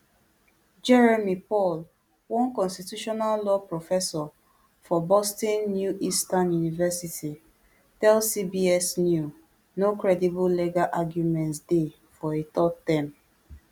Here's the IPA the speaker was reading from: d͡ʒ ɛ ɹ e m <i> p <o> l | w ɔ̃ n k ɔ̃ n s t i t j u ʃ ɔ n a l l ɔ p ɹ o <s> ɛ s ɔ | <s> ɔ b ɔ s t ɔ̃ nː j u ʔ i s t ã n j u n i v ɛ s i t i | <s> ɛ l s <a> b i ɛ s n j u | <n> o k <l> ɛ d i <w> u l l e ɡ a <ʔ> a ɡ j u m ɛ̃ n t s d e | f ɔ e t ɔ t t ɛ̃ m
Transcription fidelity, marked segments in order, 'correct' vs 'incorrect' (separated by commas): correct, incorrect, incorrect, incorrect, incorrect, incorrect, correct, incorrect, incorrect, correct